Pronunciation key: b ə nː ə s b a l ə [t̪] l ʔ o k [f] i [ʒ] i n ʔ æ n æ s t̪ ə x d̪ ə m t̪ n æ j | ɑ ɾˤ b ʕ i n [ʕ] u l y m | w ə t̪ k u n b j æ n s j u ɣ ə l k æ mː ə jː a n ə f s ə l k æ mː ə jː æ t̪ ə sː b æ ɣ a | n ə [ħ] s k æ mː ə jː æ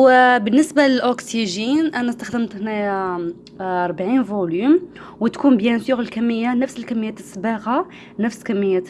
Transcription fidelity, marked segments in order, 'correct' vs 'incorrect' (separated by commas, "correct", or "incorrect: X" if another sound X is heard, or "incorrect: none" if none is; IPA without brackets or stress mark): incorrect: none, incorrect: s, correct, incorrect: v, incorrect: f